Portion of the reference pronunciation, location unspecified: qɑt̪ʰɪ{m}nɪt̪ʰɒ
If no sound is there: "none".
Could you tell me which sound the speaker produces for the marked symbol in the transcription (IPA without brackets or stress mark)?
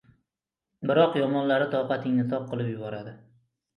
ŋ